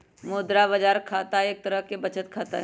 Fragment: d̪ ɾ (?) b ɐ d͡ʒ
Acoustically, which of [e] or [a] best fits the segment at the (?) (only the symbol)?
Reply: a